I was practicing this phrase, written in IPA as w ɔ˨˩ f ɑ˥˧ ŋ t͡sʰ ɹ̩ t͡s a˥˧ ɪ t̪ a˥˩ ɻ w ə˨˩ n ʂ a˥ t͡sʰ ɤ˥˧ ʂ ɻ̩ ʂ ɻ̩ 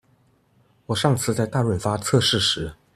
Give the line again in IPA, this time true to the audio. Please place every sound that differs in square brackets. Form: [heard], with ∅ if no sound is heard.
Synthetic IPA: w ɔ˨˩ [ʂ] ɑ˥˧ ŋ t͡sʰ ɹ̩ t͡s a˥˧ ɪ t̪ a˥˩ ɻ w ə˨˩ n [f] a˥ t͡sʰ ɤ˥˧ ʂ ɻ̩ ʂ ɻ̩